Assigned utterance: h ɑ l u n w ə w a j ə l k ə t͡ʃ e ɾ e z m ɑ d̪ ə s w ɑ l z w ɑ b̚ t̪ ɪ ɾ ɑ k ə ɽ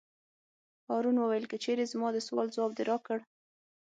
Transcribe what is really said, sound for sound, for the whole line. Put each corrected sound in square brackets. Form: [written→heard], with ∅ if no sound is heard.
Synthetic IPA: h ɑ [l→ɾ] u n w ə w a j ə l k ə t͡ʃ e ɾ e z m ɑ d̪ ə s w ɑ l z w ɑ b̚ [t̪→d̪] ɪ ɾ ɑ k ə ɽ

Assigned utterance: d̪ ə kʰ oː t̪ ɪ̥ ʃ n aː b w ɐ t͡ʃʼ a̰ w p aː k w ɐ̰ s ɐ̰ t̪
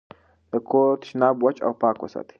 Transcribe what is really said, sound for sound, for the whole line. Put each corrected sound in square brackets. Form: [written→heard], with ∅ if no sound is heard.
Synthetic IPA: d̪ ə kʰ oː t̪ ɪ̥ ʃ n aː b w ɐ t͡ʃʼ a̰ w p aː k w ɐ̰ s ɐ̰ t̪

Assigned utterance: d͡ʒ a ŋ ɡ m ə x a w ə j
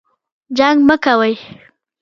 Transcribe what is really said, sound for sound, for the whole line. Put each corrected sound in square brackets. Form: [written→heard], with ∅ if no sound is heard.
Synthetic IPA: d͡ʒ a ŋ ɡ m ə [x→k] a w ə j

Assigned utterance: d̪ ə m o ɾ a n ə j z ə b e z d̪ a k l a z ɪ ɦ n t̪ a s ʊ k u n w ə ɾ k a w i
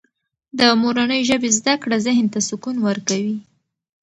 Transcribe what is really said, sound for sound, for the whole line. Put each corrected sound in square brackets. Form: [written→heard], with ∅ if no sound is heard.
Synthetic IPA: d̪ ə m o ɾ a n ə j [z→ʒ] ə b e z d̪ a k [l→ɽ] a z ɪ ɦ n t̪ a s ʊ k u n w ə ɾ k a w i

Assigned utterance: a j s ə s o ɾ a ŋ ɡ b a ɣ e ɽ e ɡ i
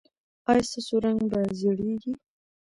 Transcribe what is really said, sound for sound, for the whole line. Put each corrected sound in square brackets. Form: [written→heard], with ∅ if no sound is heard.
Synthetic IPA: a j s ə s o ɾ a ŋ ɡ b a [ɣ→z] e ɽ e ɡ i

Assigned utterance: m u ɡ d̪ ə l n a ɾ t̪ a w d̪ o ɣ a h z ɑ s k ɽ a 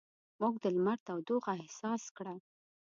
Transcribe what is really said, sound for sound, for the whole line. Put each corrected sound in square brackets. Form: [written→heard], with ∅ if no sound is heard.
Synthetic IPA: m u ɡ d̪ ə l [n→m] a ɾ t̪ a w d̪ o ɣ a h [z→s] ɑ s k ɽ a

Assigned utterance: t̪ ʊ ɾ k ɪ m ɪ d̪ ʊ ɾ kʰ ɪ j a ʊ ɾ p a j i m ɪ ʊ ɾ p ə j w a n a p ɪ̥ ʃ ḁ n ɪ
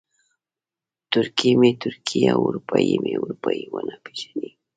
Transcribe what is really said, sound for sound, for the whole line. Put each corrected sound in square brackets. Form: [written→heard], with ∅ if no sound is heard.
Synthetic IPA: t̪ ʊ ɾ k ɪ m ɪ [d̪→t̪] ʊ ɾ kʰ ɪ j a ʊ ɾ p a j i m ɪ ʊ ɾ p [ə→a] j w a n a p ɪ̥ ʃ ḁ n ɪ

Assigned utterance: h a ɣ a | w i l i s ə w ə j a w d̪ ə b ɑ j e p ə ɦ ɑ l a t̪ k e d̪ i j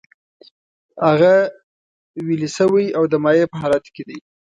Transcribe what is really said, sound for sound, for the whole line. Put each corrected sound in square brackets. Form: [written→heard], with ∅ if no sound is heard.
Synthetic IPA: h a ɣ a | w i l i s ə w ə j a w d̪ ə [b→m] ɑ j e p ə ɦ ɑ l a t̪ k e d̪ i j

